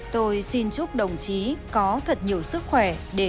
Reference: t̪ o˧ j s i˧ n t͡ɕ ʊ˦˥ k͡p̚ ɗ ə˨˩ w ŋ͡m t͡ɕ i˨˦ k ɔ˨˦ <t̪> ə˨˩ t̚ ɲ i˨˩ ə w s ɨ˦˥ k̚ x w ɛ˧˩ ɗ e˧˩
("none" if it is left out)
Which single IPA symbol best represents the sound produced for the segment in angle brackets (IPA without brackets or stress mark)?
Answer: t̪ʰ